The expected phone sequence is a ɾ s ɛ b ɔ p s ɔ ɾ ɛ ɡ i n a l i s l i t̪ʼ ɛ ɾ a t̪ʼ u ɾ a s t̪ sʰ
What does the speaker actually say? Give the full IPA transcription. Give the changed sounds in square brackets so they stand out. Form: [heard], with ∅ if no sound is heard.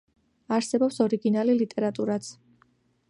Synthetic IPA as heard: a ɾ s ɛ b ɔ p s ɔ ɾ [i] ɡ i n a l i [∅] l i t̪ʼ ɛ ɾ a t̪ʼ u ɾ a [∅] t̪ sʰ